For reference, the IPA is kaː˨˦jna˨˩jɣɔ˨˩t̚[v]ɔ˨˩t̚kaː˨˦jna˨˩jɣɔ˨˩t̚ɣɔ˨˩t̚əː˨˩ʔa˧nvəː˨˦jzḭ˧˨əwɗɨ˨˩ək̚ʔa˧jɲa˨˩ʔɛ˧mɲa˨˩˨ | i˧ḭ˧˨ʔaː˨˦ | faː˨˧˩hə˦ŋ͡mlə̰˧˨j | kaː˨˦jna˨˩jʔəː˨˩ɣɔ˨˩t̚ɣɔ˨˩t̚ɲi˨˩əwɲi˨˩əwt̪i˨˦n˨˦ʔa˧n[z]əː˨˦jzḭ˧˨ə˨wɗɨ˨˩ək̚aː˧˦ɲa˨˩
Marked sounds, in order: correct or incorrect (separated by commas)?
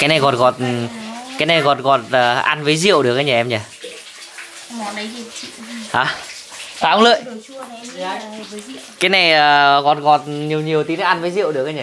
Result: incorrect, incorrect